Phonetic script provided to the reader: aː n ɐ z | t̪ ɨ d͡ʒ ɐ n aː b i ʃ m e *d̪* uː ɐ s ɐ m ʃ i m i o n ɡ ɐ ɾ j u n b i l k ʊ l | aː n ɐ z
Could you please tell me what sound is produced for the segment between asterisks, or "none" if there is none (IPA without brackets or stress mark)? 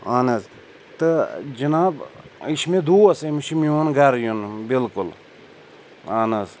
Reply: d̪